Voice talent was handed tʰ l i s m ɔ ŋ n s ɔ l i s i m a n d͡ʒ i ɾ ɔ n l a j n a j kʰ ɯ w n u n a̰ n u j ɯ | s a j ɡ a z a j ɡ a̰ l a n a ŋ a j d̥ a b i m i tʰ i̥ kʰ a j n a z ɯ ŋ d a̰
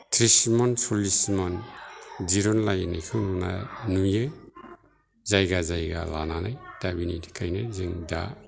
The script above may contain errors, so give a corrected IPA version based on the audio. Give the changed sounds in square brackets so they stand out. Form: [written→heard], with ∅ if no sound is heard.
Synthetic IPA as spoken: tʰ [l→ɾ] i s m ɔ [ŋ→∅] n s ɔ l i s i m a n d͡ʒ i ɾ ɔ n l a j n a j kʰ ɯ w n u n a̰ n u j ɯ | [s→z] a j ɡ a z a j ɡ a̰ l a n a [ŋ→n] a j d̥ a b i [m→n] i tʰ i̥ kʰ a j n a z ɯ ŋ d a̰